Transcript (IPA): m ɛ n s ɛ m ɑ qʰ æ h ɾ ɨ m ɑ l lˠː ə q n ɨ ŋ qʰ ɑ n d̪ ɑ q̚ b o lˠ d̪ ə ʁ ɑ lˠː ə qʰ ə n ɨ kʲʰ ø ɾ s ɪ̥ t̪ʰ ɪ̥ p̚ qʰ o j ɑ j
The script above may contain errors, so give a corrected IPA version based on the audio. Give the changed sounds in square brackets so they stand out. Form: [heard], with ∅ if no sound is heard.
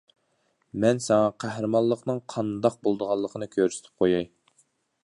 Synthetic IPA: m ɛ n s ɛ [ŋ] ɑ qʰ æ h ɾ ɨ m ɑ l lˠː ə q n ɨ ŋ qʰ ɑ n d̪ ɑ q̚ b o lˠ d̪ ə ʁ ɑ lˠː ə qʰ ə n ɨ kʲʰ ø ɾ s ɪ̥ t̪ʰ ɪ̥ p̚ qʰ o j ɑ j